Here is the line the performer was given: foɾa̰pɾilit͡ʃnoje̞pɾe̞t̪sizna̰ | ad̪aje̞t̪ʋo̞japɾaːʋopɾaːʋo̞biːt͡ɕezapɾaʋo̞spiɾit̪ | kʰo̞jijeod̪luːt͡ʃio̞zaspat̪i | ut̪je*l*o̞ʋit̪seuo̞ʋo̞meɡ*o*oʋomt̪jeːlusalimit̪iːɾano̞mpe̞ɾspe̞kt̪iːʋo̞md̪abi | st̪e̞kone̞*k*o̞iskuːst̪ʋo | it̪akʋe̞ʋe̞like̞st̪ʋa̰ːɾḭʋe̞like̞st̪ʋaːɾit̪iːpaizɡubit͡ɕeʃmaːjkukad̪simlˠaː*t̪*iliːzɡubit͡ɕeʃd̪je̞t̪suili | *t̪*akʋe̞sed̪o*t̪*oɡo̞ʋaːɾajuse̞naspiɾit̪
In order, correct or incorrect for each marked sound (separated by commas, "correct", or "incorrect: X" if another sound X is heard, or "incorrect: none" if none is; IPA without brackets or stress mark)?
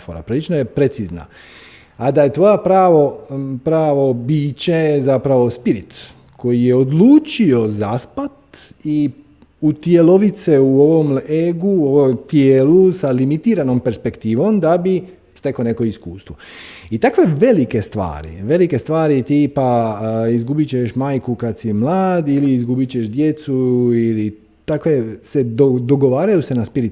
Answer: correct, incorrect: u, correct, incorrect: d̪, correct, incorrect: d̪